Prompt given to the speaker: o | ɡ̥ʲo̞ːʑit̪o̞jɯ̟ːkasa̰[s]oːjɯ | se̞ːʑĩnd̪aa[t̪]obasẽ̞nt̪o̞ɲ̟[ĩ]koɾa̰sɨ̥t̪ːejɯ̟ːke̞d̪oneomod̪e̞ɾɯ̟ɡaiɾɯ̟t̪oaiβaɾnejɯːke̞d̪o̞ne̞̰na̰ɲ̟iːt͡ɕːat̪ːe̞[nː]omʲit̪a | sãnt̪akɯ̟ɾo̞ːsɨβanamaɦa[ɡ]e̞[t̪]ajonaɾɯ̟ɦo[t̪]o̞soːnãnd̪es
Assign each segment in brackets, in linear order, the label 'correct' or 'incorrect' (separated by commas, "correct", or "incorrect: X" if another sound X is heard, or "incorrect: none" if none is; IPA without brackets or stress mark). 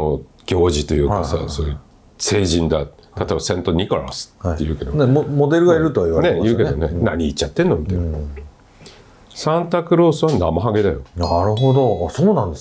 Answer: correct, correct, incorrect: i, correct, correct, incorrect: d̪, incorrect: d̪